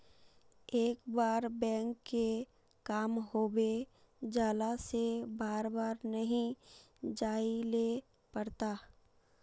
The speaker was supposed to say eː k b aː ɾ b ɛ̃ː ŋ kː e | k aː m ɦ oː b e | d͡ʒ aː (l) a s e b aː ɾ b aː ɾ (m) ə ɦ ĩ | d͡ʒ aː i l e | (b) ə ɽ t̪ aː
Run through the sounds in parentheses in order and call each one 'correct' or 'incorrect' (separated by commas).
correct, incorrect, incorrect